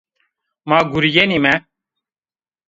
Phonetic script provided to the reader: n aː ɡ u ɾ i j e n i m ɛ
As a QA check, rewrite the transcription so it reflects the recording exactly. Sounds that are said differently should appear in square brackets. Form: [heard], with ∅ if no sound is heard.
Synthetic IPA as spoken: [m] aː ɡ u ɾ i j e n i m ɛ